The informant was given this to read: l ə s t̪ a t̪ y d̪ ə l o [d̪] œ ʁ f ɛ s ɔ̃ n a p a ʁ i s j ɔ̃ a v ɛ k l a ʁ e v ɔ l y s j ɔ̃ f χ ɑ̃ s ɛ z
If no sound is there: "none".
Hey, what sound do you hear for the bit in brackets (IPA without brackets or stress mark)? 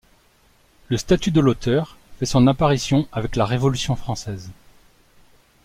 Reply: t̪